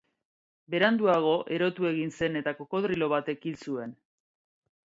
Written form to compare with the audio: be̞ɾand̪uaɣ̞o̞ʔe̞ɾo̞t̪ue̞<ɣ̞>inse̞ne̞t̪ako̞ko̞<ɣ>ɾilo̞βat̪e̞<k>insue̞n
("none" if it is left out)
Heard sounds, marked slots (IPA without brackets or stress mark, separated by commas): ɣ̞, ð, k